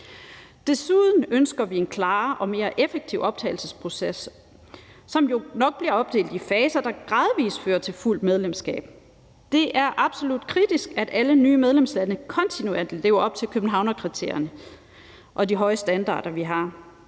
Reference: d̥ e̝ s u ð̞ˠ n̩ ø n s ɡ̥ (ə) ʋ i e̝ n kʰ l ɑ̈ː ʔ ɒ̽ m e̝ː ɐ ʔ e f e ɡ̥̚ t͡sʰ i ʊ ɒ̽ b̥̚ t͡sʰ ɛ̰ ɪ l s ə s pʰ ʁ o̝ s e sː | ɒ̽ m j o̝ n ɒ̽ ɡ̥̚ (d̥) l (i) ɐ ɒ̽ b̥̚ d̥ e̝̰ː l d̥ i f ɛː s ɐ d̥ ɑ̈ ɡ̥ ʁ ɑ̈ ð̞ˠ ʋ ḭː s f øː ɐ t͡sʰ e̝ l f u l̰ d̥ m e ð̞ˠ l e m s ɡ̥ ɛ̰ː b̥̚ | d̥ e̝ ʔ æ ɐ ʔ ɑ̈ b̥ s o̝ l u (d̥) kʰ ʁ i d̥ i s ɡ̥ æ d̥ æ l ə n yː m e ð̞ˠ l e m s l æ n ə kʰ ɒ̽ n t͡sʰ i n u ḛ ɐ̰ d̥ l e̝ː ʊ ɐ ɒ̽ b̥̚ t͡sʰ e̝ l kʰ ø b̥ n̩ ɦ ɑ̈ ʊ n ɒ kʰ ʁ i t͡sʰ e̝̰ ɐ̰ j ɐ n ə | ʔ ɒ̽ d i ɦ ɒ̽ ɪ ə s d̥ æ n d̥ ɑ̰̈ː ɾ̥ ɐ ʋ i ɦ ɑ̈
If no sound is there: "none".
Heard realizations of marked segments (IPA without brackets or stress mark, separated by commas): ɐ, b̥, i, d̥